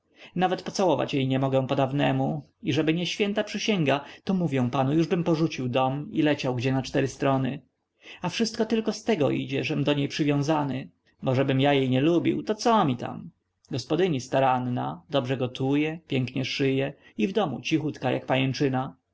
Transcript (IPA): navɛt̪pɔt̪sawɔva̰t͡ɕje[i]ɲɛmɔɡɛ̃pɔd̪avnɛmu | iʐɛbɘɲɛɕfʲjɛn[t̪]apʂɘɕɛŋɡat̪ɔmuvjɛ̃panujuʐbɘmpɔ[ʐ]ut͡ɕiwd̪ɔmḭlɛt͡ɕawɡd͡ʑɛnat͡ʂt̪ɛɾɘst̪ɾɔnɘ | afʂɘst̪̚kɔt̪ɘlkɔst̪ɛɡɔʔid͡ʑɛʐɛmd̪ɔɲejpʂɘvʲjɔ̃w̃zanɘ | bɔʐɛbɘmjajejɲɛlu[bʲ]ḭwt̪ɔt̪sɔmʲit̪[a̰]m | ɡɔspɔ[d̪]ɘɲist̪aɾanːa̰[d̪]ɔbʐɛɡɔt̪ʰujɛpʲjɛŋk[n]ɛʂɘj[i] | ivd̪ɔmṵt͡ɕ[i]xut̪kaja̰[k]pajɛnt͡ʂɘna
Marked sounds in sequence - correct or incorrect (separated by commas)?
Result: incorrect, correct, correct, correct, correct, correct, correct, incorrect, incorrect, correct, correct